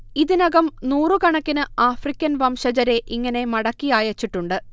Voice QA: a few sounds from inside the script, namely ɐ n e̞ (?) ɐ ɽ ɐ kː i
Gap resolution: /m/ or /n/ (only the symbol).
m